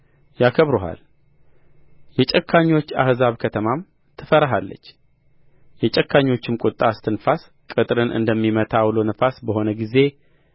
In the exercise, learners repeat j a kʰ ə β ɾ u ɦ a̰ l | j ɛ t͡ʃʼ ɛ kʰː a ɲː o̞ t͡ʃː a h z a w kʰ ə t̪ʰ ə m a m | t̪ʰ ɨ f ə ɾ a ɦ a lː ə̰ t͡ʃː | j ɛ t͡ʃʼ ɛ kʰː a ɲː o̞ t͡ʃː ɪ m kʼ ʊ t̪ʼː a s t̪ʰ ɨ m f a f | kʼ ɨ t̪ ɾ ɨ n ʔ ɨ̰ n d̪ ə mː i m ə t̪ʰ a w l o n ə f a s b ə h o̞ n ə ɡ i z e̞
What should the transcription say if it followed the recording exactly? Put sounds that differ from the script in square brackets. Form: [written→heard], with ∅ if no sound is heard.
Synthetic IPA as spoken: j a kʰ ə β ɾ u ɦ a̰ l | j ɛ t͡ʃʼ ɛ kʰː a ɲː o̞ t͡ʃː a h z a [w→β] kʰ ə t̪ʰ ə m a m | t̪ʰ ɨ f ə ɾ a ɦ a lː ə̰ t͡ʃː | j ɛ t͡ʃʼ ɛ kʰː a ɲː o̞ t͡ʃː ɪ m kʼ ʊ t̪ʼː a s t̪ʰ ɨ [m→n] f a [f→s] | kʼ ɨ [t̪→t̪ʼ] ɾ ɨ n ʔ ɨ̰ n d̪ ə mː i m ə t̪ʰ a w l o n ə f a s b ə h o̞ n ə ɡ i z e̞